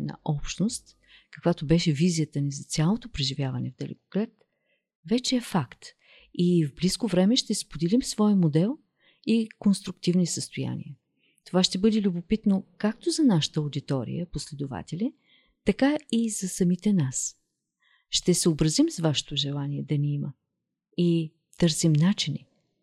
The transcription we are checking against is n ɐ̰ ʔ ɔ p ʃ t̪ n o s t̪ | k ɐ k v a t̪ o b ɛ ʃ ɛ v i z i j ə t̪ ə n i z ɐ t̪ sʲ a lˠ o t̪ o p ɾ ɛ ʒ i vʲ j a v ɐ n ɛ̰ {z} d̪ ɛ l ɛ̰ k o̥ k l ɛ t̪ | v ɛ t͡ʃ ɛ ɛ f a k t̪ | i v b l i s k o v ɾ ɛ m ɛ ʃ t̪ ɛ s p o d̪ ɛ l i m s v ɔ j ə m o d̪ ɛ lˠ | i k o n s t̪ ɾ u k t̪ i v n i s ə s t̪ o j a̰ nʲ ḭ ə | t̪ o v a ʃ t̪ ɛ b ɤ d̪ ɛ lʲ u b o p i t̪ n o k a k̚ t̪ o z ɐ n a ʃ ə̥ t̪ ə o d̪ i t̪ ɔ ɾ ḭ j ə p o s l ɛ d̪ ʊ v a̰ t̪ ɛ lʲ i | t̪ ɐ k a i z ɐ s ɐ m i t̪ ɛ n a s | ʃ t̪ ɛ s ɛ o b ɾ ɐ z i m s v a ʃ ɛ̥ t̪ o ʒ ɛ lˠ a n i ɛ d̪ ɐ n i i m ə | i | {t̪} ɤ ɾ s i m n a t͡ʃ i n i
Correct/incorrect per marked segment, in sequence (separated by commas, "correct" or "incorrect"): incorrect, correct